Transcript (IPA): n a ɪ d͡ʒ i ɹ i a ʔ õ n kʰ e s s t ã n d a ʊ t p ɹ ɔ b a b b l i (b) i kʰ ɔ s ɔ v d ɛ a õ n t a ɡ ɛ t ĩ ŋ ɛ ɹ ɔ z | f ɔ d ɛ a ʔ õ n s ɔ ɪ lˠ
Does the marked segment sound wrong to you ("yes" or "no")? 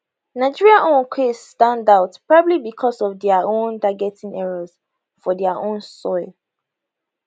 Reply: no